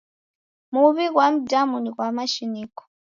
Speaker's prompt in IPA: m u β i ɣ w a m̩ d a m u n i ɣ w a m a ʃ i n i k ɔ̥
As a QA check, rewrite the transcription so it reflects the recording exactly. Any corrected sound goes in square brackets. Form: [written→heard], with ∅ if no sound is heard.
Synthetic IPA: m u β i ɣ w a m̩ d a m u n i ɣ w a m a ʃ i n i k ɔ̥

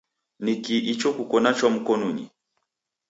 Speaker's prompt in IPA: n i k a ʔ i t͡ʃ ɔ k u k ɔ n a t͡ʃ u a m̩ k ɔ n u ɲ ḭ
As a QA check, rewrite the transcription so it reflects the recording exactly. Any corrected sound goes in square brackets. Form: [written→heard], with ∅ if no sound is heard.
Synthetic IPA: n i k [a→i] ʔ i t͡ʃ ɔ k u k ɔ n a t͡ʃ [u→w] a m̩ k ɔ n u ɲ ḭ

